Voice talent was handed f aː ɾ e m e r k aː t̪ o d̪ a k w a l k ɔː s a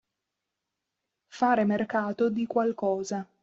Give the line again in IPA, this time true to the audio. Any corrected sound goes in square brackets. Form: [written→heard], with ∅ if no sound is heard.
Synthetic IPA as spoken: f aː ɾ e m e r k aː t̪ o d̪ [a→i] k w a l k ɔː [s→z] a